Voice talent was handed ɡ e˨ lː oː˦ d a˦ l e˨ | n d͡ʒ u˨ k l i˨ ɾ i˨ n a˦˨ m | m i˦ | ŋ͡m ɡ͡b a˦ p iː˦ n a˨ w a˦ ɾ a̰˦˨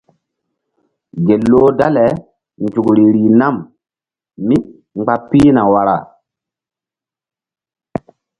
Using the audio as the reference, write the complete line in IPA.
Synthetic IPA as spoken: ɡ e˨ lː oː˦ d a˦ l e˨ | n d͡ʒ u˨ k ɾ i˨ ɾ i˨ n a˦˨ m | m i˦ | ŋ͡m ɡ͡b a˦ p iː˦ n a˨ w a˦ ɾ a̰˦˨